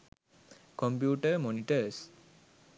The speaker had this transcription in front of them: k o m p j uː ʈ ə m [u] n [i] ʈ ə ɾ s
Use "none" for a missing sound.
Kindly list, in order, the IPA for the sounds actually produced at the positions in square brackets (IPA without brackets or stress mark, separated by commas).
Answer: o, i